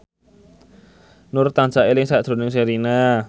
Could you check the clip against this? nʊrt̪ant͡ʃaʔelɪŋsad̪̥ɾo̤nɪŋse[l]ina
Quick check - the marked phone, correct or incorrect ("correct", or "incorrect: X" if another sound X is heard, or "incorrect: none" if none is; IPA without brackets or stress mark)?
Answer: incorrect: ɾ